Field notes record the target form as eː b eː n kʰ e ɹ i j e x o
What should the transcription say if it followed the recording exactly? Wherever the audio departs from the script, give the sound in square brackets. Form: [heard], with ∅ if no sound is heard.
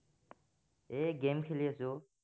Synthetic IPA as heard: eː [ɡ] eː [m] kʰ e [l] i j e [s] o